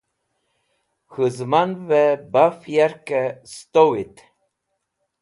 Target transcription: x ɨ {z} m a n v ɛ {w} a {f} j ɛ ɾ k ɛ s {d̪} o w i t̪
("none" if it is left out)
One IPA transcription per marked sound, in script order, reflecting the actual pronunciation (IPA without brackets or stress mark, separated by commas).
z, b, f, t̪